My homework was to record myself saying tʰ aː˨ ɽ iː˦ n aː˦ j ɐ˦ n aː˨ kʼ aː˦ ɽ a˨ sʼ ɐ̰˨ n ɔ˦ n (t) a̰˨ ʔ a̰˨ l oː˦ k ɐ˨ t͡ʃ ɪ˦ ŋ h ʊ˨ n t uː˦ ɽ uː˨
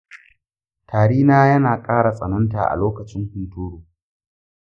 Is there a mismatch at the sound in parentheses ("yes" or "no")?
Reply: no